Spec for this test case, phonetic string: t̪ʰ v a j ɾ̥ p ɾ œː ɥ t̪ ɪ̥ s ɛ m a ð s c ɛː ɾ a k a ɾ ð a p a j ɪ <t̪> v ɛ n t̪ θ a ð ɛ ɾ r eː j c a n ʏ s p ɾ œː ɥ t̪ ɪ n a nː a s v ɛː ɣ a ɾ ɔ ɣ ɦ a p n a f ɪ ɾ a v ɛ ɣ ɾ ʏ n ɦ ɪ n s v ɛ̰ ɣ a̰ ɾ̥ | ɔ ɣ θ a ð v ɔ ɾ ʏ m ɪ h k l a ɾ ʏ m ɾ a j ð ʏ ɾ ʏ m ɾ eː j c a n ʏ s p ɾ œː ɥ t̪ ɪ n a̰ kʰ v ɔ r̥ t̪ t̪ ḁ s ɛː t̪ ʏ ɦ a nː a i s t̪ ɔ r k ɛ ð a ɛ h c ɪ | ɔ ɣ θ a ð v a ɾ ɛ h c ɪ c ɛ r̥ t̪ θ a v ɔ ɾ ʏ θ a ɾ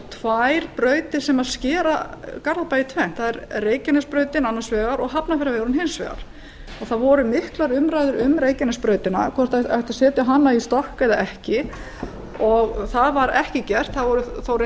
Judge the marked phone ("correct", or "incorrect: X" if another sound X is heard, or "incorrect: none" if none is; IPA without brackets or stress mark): incorrect: t̪ʰ